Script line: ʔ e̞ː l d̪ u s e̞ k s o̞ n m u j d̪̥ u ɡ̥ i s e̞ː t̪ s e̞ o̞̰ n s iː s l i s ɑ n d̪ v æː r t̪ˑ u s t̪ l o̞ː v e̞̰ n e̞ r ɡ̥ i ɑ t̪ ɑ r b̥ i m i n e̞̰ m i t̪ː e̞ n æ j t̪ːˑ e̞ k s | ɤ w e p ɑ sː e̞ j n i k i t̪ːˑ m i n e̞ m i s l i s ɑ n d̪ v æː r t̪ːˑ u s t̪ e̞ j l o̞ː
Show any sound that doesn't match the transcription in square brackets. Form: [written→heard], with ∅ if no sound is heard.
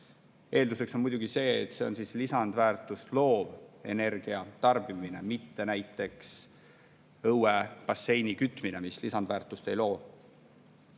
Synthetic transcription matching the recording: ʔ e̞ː l d̪ u s e̞ k s o̞ n m u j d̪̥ u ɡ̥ i s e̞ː t̪ s e̞ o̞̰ n s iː s l i s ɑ n d̪ v æː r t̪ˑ u s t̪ l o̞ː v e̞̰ n e̞ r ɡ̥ i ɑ t̪ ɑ r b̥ i m i n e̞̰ m i t̪ː e̞ n æ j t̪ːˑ e̞ k s | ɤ w e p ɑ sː e̞ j n i k [i→y] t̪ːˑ m i n e̞ m i s l i s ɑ n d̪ v æː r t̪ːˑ u s t̪ e̞ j l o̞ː